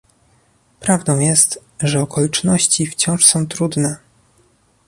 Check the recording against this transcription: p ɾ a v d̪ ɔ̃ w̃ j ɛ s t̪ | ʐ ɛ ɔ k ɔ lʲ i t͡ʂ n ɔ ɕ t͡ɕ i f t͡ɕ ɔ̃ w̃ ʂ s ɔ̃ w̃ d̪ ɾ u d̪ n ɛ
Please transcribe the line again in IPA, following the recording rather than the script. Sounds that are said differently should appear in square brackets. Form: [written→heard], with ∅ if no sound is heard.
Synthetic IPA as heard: p ɾ a v d̪ ɔ̃ w̃ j ɛ s t̪ | ʐ ɛ ɔ k ɔ lʲ i t͡ʂ n ɔ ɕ t͡ɕ i f t͡ɕ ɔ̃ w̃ ʂ s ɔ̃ w̃ [d̪→t̪] ɾ u d̪ n ɛ